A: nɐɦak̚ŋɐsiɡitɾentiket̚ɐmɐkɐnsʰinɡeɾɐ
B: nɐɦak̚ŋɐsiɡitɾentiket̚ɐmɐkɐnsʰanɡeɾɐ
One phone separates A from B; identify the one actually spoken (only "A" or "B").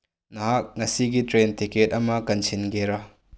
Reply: A